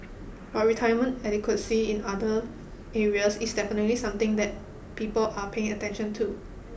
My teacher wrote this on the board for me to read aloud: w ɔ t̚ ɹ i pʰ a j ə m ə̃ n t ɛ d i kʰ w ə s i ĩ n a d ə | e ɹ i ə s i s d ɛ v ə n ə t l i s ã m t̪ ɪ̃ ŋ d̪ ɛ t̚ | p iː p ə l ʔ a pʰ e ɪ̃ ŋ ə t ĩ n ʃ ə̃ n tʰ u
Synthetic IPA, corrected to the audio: w ɔ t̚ ɹ i tʰ a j ə m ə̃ n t ɛ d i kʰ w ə s i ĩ n a d ə | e ɹ i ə s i s d ɛ f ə n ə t l i s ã m t̪ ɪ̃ ŋ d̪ ɛ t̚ | p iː p ə l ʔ a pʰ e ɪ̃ ŋ ə t ɛ̃ n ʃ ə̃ n tʰ u